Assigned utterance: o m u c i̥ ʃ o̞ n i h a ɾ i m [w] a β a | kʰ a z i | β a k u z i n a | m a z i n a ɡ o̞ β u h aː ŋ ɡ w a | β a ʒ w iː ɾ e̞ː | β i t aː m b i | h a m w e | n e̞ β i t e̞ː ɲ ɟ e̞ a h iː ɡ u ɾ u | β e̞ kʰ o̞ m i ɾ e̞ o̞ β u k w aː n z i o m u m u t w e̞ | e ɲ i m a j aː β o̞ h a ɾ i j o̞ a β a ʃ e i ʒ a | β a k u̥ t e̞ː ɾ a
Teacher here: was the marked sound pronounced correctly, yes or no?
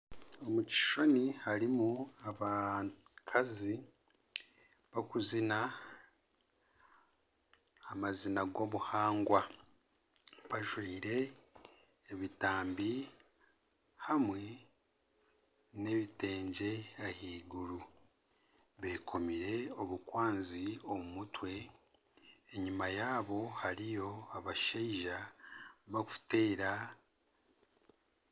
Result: no